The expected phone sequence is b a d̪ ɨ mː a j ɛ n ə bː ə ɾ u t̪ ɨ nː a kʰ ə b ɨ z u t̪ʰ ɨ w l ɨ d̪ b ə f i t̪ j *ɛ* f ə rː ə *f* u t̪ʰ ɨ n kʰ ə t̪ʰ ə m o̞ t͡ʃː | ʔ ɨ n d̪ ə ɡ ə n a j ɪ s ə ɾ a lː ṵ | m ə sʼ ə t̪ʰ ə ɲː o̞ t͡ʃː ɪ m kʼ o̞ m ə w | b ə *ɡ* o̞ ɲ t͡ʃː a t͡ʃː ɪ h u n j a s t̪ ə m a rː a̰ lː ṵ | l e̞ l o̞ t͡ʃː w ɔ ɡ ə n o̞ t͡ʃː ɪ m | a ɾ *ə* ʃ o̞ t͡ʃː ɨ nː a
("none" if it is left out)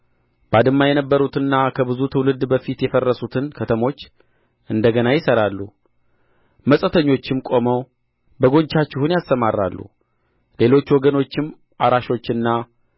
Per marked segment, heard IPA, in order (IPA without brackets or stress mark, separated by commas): ɛ, s, ɡ, a